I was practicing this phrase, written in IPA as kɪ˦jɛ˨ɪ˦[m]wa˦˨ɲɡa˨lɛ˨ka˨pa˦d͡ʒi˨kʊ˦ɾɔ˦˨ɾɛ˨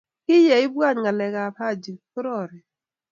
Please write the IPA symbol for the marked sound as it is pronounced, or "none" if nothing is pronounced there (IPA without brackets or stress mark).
b